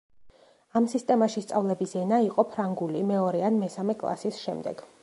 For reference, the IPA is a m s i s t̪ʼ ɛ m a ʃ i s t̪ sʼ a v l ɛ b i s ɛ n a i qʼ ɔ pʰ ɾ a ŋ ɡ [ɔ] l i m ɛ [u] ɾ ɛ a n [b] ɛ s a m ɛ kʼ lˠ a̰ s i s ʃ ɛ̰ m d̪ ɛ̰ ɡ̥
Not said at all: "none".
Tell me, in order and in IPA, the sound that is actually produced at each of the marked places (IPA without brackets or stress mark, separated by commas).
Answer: u, ɔ, m